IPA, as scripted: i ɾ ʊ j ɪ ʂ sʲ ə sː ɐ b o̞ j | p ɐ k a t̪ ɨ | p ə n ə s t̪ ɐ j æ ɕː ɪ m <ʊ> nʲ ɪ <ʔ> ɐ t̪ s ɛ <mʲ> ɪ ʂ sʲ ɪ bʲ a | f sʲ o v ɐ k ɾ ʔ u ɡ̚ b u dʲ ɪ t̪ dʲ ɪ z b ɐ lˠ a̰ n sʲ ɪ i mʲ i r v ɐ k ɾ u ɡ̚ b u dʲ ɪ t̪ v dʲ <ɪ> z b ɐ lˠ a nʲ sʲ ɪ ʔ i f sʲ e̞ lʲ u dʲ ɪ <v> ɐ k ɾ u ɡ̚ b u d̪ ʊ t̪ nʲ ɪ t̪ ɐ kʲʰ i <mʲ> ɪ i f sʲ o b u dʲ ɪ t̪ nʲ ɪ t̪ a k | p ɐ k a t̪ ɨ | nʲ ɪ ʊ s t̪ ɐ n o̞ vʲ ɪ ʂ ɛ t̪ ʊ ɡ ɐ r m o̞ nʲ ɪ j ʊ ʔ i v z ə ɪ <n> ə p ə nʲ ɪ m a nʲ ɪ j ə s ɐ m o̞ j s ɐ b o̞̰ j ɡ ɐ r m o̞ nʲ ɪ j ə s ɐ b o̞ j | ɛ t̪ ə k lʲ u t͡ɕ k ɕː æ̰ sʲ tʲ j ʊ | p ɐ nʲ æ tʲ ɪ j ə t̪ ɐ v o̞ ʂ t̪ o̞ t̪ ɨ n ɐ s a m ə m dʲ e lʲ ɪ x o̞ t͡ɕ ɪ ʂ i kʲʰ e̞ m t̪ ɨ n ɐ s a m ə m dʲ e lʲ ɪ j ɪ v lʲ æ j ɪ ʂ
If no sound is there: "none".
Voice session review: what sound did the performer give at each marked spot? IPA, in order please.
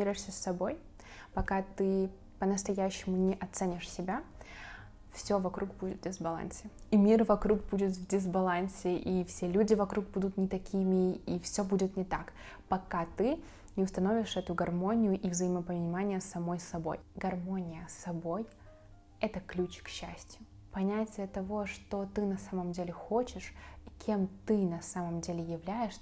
ʊ, ʔ, nʲ, ɪ, v, mʲ, m

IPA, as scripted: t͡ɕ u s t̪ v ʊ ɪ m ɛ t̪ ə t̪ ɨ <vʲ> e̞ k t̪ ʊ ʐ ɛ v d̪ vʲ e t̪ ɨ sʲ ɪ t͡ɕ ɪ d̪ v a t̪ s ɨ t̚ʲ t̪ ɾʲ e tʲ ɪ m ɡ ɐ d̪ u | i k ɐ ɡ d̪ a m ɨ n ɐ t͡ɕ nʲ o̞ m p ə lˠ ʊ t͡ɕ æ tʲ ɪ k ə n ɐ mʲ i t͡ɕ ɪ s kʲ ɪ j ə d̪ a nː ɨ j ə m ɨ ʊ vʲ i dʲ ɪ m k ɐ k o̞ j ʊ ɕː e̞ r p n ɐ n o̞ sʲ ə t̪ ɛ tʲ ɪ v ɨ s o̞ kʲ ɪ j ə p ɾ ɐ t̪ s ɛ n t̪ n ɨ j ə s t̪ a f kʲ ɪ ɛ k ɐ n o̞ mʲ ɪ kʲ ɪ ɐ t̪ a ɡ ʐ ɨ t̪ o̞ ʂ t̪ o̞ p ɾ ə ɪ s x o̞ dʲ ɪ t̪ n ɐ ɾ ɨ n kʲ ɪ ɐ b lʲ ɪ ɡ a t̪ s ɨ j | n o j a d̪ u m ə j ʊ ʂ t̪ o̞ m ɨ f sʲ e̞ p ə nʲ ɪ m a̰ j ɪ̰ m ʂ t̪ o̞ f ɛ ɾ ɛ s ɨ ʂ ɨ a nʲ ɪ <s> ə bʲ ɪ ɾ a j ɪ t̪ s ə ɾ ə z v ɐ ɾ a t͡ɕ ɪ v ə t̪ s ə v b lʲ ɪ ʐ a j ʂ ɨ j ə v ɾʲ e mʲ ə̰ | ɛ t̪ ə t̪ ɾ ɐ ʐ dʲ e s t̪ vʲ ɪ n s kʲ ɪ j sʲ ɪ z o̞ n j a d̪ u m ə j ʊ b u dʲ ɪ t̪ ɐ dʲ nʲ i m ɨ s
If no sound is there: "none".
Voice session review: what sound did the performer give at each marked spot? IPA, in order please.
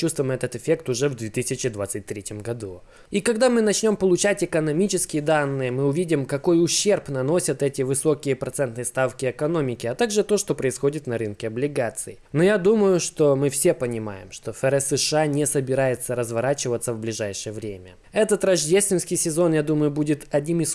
fʲ, s

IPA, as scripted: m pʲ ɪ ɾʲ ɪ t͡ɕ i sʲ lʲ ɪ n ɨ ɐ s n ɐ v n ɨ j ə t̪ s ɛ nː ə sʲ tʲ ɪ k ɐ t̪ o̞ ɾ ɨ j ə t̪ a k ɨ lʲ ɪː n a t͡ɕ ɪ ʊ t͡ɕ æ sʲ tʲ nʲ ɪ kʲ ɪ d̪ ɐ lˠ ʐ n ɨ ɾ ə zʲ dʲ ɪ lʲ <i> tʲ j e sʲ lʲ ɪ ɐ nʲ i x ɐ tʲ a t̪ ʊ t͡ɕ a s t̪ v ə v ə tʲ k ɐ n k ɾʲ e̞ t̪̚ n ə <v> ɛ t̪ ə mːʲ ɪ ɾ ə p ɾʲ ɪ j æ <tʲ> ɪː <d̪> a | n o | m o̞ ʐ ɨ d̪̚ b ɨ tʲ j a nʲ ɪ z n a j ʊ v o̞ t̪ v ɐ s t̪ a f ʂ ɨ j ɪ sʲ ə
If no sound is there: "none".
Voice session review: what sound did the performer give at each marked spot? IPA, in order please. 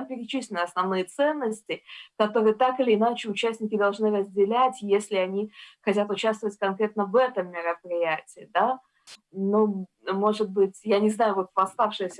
æ, v, tʲ, d̪

